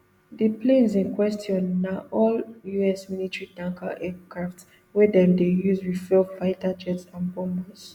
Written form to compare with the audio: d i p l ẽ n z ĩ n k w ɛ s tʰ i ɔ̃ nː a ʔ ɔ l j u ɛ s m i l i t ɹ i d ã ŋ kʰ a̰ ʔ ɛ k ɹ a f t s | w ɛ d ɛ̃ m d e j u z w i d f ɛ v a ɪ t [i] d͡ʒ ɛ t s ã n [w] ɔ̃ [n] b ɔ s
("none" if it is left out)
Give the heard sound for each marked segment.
a, b, m

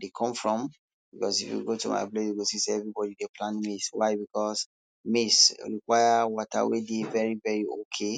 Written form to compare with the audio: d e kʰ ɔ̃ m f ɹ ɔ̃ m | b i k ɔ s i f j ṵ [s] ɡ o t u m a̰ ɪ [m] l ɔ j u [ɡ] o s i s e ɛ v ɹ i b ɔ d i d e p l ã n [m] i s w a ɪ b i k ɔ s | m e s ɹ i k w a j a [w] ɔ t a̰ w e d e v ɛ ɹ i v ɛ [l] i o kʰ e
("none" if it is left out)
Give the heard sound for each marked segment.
none, b, ɡ, m, w, ɹ

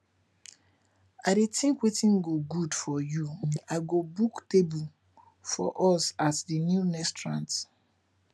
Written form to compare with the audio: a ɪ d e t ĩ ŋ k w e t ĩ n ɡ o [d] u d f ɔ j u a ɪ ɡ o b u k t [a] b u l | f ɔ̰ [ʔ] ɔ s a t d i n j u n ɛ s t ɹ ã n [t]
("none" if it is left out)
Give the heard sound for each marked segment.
ɡ, e, ʔ, t

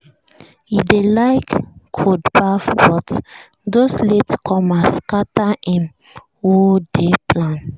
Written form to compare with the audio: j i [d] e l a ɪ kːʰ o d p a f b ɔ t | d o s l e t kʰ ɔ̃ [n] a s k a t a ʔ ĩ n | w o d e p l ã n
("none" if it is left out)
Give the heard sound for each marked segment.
d, m

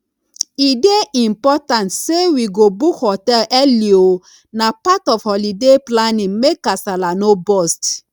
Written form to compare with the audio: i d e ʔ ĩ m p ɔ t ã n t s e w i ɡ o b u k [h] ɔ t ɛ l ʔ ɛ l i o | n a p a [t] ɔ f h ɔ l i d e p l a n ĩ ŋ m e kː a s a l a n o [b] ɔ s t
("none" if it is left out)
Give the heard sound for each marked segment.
h, t, b

